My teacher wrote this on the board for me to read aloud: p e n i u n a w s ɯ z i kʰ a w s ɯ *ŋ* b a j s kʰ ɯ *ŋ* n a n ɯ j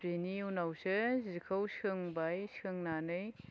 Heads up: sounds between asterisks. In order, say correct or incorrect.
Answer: correct, correct

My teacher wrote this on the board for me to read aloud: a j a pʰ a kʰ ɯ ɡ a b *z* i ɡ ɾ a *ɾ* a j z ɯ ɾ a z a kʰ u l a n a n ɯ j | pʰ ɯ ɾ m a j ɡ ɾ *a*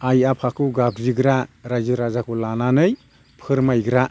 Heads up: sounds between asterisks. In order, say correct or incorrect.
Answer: correct, correct, correct

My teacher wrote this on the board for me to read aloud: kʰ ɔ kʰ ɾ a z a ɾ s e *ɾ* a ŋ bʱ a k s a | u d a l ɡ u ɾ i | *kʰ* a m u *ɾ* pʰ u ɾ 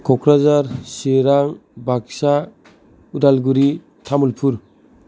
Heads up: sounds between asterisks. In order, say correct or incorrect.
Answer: correct, incorrect, incorrect

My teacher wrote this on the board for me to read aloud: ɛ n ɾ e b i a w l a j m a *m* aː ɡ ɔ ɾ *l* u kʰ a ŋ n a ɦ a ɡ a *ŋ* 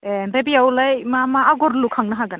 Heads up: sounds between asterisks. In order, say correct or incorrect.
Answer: correct, correct, incorrect

